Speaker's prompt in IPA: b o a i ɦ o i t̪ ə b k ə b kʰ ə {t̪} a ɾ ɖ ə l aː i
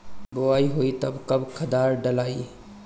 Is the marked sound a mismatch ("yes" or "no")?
yes